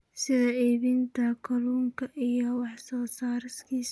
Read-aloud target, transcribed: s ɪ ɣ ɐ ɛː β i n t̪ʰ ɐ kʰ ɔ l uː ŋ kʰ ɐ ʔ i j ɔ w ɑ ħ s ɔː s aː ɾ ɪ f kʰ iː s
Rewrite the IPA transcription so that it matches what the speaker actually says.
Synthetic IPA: s ɪ ð ɐ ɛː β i n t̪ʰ ɐ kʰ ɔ l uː ŋ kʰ ɐ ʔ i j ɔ w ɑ ħ s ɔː s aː ɾ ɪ s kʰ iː s